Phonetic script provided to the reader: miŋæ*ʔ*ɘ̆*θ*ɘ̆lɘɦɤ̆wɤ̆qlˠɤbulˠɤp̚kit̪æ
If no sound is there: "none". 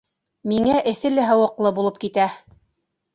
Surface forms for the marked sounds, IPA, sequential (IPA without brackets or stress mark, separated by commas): ʔ, θ